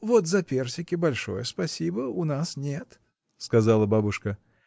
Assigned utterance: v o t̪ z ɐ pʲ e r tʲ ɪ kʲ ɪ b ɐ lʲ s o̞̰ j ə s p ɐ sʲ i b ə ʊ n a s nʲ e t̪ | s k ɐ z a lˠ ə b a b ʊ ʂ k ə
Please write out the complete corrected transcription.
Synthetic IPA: v o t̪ z ɐ pʲ e r sʲ ɪ kʲ ɪ b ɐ lʲ ʂ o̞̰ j ə s p ɐ sʲ i b ə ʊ n a s nʲ e t̪ | s k ɐ z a lˠ ə b a b ʊ ʂ k ə